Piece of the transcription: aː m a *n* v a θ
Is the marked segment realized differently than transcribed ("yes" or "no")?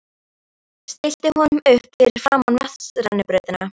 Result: no